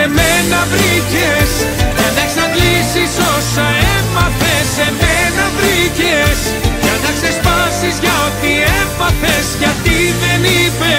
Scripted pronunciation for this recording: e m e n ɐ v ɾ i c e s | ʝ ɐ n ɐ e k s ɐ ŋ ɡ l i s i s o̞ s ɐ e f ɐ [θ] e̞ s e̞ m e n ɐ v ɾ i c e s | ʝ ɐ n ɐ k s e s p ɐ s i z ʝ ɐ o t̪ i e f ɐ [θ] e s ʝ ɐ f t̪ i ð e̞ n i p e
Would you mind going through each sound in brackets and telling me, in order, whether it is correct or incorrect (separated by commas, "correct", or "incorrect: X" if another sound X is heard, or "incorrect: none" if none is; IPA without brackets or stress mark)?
correct, correct